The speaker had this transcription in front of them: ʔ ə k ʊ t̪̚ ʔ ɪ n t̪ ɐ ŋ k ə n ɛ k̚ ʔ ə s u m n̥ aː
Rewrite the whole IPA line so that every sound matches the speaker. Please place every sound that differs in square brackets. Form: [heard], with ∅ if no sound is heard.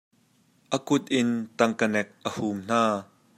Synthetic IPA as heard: ʔ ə k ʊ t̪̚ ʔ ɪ n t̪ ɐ ŋ k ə n ɛ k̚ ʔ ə [h] u m n̥ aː